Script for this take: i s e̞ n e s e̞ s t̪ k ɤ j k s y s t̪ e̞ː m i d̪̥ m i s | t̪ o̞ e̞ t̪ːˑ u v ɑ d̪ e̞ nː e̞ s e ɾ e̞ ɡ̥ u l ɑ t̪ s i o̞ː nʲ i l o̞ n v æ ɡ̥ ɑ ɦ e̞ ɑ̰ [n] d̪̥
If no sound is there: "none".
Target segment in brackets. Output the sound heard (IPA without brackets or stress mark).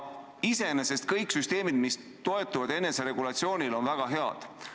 none